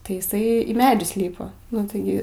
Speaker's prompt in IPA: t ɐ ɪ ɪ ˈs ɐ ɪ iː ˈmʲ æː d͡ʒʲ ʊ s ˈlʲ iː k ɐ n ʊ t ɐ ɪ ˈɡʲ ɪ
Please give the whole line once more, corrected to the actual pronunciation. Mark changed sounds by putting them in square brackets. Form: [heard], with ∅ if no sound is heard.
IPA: t ɐ ɪ ɪ ˈs ɐ ɪ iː ˈmʲ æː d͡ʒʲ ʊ s ˈlʲ iː [p] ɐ n ʊ t ɐ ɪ ˈɡʲ ɪ